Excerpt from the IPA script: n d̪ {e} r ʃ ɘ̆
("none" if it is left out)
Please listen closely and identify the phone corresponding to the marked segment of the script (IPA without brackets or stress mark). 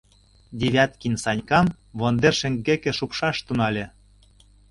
e